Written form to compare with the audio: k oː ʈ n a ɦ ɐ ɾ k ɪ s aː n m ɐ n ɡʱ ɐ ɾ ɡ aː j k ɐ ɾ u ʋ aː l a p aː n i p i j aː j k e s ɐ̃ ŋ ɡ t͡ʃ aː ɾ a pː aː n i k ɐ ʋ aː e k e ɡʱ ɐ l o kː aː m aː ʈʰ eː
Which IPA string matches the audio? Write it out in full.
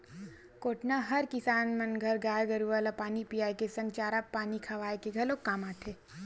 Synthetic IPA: k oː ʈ n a ɦ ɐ ɾ k ɪ s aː n m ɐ n ɡʱ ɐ ɾ ɡ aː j ɡ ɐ ɾ u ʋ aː l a p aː n i p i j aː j k e s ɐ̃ ŋ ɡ t͡ʃ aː ɾ a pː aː n i kʰ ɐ ʋ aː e k e ɡʱ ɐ l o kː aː m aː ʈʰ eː